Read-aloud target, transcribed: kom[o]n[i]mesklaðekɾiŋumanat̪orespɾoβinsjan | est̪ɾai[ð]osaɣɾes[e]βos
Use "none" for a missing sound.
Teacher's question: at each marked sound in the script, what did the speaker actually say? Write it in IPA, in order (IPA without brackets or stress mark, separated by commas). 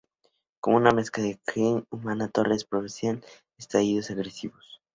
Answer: u, a, ð, i